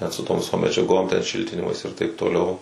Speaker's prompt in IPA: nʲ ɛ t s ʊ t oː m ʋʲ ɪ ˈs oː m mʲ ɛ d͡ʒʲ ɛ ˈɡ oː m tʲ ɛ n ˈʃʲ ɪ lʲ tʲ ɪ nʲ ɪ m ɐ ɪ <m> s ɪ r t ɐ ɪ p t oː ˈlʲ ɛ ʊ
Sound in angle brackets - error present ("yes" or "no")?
yes